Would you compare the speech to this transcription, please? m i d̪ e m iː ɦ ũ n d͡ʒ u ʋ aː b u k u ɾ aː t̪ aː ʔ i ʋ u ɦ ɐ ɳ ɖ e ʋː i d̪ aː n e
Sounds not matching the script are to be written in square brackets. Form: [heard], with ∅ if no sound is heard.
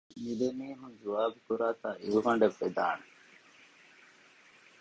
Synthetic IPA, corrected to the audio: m i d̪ e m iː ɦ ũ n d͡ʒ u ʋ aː b u k u ɾ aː t̪ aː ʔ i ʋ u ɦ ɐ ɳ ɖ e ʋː [e] d̪ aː n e